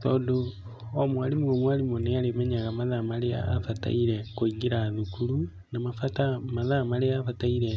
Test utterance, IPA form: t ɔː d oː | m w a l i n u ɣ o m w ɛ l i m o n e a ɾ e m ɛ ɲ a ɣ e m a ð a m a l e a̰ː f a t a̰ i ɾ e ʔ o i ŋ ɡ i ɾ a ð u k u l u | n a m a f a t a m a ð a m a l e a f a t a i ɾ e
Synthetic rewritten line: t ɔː d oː | m w a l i m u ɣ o m w a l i m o n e a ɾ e m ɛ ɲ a ɣ a m a ð a m a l e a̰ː f a t a̰ i ɾ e k o i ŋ ɡ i ɾ a ð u k u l u | n a m a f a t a m a ð a m a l e a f a t a i ɾ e

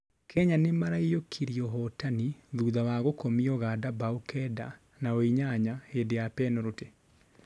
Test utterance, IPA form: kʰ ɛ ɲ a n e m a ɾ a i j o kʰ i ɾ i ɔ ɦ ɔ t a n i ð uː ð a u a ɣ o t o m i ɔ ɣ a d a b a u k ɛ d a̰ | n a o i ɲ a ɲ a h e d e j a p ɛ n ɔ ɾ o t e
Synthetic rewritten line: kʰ ɛ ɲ a n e m a ɾ a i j o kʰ i ɾ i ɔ ɦ ɔ t a n i ð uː ð a w a ɣ o k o m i ɔ ɣ a d a b a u k ɛ d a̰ | n a o i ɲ a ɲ a h e d e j a p ɛ n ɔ ɾ o t e

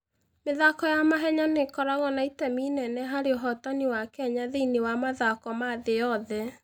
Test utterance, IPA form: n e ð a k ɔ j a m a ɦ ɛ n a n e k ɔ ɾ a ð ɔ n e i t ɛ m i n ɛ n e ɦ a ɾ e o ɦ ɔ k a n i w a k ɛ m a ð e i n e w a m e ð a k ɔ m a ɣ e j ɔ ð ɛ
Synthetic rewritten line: m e ð a k ɔ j a m a ɦ ɛ ɲ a n e k ɔ ɾ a ɣ ɔ n a i t ɛ m i n ɛ n ɛ ɦ a ɾ e o ɦ ɔ t a n i w a k ɛ ɲ a ð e i n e w a m a ð a k ɔ m a ð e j ɔ ð ɛ

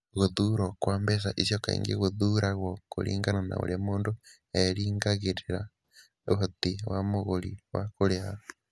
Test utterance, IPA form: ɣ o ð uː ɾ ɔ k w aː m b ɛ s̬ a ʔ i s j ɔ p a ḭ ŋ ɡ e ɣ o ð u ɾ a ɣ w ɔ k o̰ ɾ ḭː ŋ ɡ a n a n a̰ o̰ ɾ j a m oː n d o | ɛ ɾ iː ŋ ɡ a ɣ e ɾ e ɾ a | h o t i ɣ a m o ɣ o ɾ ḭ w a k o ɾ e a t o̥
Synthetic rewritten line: ɣ o ð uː ɾ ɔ k w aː m b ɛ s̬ a ʔ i s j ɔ k a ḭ ŋ ɡ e ɣ o ð u ɾ a ɣ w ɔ k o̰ ɾ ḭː ŋ ɡ a n a n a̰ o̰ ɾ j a m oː n d o | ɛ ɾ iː ŋ ɡ a ɣ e ɾ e ɾ a | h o t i w a m o ɣ o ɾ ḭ w a k o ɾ e a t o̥

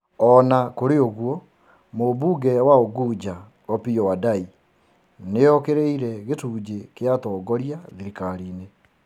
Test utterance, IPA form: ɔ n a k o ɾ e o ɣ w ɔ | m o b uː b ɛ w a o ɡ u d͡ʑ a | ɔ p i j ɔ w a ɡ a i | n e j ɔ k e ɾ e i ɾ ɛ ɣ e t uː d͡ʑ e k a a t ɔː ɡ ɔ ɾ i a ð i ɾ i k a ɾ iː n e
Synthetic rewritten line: ɔ n a k o ɾ e o ɣ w ɔ | m o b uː ɡ ɛ w a o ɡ u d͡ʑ a | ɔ p i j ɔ w a d a i | n e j ɔ k e ɾ e i ɾ ɛ ɣ e t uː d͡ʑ e k e a t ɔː ɡ ɔ ɾ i a ð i ɾ i k a ɾ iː n e

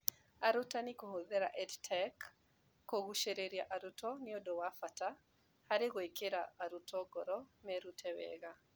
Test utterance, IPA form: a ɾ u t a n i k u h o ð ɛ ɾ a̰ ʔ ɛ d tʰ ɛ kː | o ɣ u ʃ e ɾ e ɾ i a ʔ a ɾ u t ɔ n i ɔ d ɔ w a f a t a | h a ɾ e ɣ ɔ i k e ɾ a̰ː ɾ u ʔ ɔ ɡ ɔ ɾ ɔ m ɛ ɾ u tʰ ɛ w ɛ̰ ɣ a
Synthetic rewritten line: a ɾ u t a n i k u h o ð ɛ ɾ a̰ ʔ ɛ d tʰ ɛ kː | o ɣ u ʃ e ɾ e ɾ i a ʔ a ɾ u t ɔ n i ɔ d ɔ w a f a t a | h a ɾ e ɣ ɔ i k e ɾ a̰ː ɾ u t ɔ ɡ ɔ ɾ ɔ m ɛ ɾ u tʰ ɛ w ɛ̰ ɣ a

